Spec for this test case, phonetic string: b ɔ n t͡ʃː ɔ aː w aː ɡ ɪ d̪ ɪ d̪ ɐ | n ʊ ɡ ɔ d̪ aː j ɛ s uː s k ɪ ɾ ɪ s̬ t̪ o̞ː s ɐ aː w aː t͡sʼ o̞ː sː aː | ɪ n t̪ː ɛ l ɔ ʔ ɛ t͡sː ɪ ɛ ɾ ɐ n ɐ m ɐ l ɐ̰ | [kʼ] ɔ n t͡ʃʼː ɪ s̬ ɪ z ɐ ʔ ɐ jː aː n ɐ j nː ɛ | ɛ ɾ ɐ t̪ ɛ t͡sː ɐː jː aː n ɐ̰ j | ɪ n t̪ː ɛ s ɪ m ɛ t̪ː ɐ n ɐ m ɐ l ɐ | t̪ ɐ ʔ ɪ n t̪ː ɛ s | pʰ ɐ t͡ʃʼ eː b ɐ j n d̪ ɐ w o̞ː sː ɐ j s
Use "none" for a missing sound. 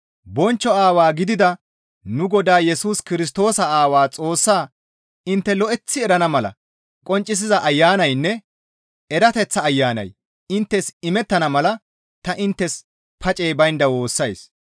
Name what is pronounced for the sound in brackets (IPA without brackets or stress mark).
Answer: kʼ